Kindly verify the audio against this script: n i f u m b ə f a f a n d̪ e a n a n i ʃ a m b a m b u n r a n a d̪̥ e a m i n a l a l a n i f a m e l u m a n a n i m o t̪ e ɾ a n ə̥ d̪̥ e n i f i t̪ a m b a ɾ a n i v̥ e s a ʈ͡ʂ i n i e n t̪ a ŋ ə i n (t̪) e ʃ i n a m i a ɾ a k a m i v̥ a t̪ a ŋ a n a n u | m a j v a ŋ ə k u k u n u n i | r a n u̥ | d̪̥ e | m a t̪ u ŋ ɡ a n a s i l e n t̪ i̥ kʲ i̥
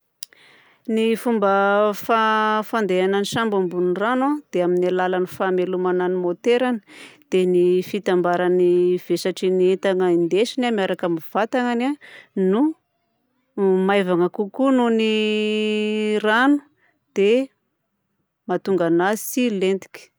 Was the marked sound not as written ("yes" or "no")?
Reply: yes